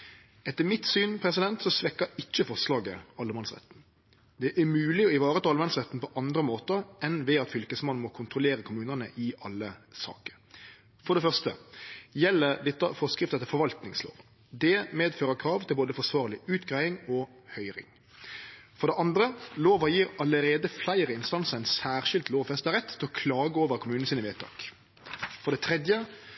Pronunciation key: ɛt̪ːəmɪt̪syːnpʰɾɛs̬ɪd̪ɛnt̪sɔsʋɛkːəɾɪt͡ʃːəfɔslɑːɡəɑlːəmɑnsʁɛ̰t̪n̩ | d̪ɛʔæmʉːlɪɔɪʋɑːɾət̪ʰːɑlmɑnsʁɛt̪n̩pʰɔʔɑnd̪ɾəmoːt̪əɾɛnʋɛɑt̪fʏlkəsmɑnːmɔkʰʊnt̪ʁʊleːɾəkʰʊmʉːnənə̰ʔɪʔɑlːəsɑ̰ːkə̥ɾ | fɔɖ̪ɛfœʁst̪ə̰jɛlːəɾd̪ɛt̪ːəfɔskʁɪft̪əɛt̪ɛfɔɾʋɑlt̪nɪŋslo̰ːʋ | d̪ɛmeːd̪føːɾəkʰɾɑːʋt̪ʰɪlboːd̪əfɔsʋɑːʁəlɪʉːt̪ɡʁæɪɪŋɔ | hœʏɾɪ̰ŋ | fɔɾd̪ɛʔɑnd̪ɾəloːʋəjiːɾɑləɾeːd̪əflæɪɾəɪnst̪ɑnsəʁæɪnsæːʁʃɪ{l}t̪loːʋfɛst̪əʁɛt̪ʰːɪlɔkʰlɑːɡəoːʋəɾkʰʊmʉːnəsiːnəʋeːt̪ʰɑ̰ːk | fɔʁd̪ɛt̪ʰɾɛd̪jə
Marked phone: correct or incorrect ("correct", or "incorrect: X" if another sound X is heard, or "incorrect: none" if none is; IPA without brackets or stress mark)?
correct